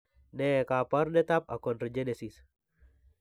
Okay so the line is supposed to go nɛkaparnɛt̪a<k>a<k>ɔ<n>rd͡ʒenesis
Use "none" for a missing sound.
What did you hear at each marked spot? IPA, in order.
p, k, n

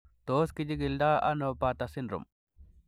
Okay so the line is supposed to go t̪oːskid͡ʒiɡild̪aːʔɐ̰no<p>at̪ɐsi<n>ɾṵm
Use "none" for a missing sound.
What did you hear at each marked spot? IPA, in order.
p, n

